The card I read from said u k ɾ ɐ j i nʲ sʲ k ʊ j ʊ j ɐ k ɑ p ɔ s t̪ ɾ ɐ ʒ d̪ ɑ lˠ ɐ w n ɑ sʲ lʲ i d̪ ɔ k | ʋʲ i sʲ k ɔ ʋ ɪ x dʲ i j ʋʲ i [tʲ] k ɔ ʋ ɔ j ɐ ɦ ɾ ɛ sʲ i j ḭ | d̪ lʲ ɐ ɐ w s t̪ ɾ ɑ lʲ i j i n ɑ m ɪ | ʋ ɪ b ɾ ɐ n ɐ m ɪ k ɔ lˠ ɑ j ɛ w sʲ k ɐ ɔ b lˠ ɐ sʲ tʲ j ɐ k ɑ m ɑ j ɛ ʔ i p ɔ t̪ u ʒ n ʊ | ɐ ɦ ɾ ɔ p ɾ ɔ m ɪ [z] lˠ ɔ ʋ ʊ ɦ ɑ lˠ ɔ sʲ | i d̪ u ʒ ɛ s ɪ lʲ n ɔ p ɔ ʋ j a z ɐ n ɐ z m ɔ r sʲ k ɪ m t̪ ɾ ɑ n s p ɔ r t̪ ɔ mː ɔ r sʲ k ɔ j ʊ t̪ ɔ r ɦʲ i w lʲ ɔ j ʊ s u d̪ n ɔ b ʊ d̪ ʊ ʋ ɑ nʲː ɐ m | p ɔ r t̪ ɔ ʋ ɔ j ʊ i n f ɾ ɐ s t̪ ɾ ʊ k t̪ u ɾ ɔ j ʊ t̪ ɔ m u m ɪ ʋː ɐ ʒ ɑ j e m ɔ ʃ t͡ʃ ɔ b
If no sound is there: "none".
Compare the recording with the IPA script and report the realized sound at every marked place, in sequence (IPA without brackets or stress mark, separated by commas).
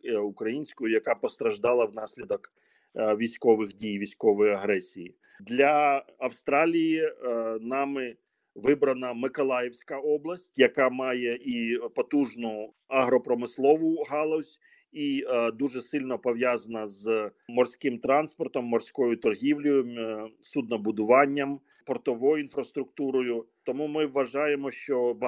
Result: sʲ, s